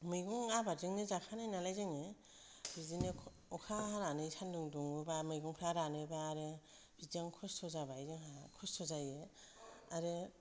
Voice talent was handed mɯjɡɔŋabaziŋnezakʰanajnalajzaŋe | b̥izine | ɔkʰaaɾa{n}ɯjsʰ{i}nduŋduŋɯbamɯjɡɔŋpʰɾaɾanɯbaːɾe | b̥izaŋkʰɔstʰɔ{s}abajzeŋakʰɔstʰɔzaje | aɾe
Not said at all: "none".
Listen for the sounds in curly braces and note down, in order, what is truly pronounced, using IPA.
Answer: n, a, z

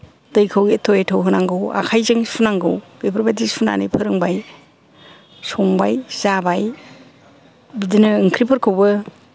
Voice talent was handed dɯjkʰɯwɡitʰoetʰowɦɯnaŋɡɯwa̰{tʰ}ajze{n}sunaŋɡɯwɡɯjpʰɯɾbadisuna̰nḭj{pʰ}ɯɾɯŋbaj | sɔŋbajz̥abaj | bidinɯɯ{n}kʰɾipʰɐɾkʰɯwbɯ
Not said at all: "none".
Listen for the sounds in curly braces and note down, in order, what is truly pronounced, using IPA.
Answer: kʰ, ŋ, pʰ, ŋ

